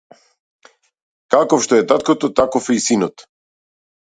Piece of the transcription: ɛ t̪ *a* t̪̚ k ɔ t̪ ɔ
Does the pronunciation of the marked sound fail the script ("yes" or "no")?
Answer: no